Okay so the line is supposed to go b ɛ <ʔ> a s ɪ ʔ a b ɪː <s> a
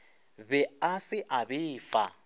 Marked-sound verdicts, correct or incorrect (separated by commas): incorrect, incorrect